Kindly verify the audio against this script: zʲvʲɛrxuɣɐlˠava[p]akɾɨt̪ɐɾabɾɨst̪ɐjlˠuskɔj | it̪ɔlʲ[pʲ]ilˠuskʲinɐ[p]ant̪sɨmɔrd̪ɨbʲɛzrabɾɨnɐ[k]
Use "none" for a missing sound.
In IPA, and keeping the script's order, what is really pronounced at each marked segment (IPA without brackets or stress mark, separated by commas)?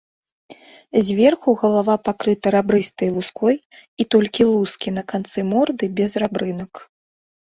p, kʲ, k, k